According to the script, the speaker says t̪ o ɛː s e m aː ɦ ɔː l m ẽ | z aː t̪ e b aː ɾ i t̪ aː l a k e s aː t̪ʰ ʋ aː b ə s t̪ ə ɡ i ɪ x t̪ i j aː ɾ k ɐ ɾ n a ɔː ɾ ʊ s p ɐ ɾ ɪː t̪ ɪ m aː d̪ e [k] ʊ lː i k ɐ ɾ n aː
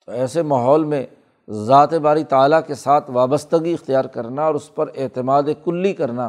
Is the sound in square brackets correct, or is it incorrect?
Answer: correct